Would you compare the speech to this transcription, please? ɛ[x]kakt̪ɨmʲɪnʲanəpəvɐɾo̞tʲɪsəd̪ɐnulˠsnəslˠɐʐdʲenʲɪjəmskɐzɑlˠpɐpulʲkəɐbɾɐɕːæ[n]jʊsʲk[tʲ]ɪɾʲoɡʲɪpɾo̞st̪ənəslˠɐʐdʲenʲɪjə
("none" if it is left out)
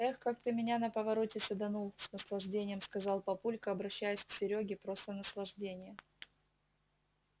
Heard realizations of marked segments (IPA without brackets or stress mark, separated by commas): x, none, sʲ